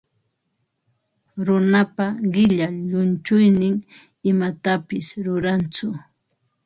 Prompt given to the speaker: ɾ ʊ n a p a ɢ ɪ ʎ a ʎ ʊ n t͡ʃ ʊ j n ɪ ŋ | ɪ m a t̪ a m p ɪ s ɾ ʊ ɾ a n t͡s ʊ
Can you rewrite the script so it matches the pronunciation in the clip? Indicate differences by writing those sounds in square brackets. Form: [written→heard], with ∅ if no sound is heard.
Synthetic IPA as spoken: ɾ ʊ n a p a ɢ ɪ ʎ a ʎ ʊ n t͡ʃ ʊ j n ɪ ŋ | ɪ m a t̪ a [m→∅] p ɪ s ɾ ʊ ɾ a n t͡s ʊ